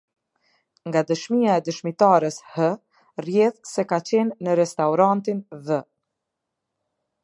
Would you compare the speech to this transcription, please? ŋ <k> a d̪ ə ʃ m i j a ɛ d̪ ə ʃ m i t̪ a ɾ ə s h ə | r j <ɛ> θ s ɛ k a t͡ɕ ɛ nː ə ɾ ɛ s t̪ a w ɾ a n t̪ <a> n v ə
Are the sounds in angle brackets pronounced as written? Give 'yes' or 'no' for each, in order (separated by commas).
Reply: no, yes, no